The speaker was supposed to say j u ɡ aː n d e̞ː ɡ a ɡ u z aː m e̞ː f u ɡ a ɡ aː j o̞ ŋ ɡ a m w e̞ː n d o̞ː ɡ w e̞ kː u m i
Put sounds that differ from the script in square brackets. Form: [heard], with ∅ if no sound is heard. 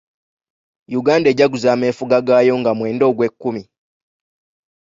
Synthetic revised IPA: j u ɡ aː n d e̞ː [ɟ] a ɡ u z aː m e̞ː f u ɡ a ɡ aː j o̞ ŋ ɡ a m w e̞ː n d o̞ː ɡ w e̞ kː u m i